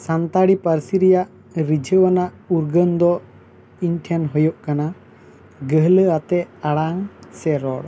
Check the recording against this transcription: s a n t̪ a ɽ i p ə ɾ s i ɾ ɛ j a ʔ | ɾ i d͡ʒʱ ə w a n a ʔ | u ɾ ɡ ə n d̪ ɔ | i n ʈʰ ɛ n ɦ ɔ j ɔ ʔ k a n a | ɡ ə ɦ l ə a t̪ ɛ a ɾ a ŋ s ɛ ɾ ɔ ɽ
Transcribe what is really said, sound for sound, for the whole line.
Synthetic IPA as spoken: s a n t̪ a ɽ i p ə ɾ s i ɾ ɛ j a ʔ | ɾ i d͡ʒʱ ə w a n a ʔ | u ɾ ɡ ə n d̪ ɔ | i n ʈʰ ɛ n ɦ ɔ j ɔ ʔ k a n a | ɡ ə ɦ l ə a t̪ ɛ a ɽ a ŋ s ɛ ɾ ɔ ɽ